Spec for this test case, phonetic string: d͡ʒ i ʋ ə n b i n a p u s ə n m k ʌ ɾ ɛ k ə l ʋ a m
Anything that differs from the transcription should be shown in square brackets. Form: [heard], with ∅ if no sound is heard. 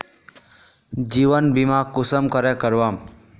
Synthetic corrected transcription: d͡ʒ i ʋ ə n b i [m] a [k] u s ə [∅] m k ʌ ɾ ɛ k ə [ɾ] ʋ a m